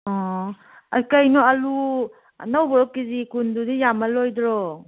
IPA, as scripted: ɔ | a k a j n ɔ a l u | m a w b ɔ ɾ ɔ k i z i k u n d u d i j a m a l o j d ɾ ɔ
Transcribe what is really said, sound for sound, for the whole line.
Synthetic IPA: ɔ | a k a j n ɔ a l u | n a w b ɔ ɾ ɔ k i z i k u n d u d i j a m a l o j d ɾ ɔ

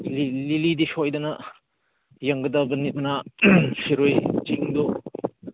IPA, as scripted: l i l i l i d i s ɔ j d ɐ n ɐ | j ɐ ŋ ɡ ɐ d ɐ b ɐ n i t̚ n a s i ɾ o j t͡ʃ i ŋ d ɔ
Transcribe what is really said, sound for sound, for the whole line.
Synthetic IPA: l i l i l i d i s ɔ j d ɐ n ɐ | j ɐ ŋ ɡ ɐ d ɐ b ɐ n i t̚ n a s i ɾ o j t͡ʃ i ŋ d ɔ

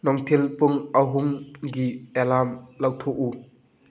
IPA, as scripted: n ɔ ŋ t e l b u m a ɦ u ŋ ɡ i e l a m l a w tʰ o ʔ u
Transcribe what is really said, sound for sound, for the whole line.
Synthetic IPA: n ɔ ŋ tʰ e l p u ŋ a ɦ u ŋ ɡ i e l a m l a w tʰ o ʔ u

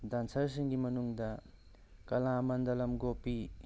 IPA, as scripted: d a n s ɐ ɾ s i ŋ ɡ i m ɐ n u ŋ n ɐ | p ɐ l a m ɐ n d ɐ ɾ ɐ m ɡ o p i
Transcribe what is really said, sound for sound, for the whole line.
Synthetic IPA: d a n s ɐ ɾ s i ŋ ɡ i m ɐ n u ŋ d ɐ | k ɐ l a m ɐ n d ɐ l ɐ m ɡ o p i

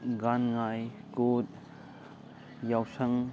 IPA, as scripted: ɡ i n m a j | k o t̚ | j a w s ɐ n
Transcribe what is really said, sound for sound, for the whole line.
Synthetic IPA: ɡ a n ŋ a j | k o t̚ | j a w s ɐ ŋ

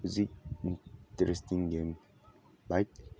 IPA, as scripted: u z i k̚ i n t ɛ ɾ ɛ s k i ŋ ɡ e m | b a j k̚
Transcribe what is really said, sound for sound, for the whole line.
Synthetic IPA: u z i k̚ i n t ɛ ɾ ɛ s t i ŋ ɡ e m | b a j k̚

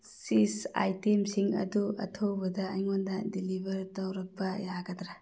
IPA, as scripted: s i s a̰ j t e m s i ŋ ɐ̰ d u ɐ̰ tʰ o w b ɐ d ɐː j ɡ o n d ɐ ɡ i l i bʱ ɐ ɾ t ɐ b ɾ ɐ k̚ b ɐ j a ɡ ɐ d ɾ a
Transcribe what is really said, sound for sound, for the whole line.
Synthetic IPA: s i s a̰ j t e m s i ŋ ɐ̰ d u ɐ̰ tʰ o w b ɐ d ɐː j ŋ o n d ɐ d i l i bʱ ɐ ɾ t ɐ w ɾ ɐ k̚ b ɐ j a ɡ ɐ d ɾ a

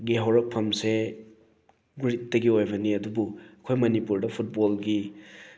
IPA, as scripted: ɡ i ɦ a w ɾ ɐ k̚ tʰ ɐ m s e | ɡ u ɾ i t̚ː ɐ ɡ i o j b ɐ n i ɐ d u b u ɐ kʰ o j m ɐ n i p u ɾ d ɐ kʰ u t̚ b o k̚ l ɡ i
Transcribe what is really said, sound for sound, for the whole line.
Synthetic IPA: ɡ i ɦ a w ɾ ɐ k̚ pʰ ɐ m s e | ɡ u ɾ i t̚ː ɐ ɡ i o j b ɐ n i ɐ d u b u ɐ kʰ o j m ɐ n i p u ɾ d ɐ pʰ u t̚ b o l ɡ i

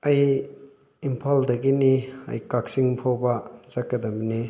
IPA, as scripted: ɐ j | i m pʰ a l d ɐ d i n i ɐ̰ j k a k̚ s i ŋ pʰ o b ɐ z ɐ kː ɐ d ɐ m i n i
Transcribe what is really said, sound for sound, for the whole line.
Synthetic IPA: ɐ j | i m pʰ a l d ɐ ɡ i n i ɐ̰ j k a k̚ s i ŋ pʰ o b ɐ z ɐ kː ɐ d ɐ m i n i

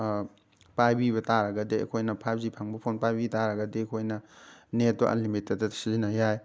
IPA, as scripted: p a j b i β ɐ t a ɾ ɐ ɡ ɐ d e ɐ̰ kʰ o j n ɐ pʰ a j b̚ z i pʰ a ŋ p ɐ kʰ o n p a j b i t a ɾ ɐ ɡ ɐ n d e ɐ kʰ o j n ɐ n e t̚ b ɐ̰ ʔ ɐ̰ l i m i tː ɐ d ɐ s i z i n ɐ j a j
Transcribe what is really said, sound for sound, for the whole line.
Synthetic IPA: p a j b i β ɐ t a ɾ ɐ ɡ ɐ d e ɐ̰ kʰ o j n ɐ pʰ a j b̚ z i pʰ a ŋ b ɐ pʰ o n p a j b i t a ɾ ɐ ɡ ɐ d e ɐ kʰ o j n ɐ n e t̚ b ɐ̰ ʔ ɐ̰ l i m i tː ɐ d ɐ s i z i n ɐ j a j

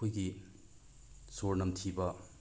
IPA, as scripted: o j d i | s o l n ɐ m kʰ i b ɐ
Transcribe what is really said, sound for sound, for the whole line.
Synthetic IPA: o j ɡ i | s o ɾ n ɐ m tʰ i b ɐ

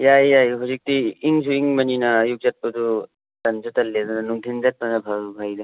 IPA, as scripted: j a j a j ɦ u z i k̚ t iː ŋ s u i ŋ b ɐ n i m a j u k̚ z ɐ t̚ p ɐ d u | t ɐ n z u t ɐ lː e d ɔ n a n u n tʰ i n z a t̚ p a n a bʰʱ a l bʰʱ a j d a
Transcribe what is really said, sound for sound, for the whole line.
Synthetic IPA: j a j a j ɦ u z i k̚ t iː ŋ s u i ŋ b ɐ n i n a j u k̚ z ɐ t̚ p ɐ d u | t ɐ n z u t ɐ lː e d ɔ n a n u ŋ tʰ i n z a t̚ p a n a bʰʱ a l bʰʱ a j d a

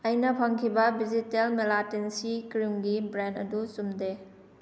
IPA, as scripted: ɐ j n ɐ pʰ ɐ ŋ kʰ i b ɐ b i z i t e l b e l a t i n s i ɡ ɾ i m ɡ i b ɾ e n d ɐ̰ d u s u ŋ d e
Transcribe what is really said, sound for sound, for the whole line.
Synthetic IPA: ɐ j n ɐ pʰ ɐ ŋ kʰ i b ɐ b i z i t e l m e l a t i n s i k ɾ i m ɡ i b ɾ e n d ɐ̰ d u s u m d e

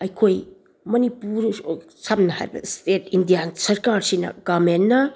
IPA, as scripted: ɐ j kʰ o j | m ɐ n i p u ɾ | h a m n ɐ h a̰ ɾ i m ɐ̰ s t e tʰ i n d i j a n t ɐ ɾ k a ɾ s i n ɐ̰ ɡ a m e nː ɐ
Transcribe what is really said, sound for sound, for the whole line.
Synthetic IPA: ɐ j kʰ o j | m ɐ n i p u ɾ | s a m n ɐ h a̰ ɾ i b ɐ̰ s t e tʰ i n d i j a n s ɐ ɾ k a ɾ s i n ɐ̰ ɡ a m e nː ɐ

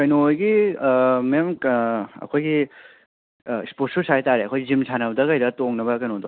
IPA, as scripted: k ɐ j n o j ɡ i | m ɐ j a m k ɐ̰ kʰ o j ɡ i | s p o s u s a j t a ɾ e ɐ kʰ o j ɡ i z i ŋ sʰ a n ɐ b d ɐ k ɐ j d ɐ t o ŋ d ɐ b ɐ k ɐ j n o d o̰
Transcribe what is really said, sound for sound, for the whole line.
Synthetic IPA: k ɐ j n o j ɡ i | m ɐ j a m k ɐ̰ kʰ o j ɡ i | s p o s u s a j t a ɾ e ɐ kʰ o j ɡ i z i m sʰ a n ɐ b d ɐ k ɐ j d ɐ t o ŋ n ɐ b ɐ k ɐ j n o d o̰

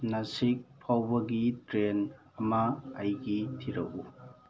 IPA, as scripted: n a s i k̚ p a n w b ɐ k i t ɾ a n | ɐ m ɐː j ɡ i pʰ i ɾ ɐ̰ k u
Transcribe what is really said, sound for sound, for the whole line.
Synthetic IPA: n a s i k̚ pʰ a w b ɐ ɡ i t ɾ e n | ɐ m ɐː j ɡ i tʰ i ɾ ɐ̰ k u

